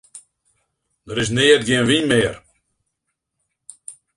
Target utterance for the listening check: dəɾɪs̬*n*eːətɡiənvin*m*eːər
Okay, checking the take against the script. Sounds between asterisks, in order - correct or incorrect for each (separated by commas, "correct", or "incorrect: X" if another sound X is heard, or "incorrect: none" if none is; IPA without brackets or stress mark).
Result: correct, correct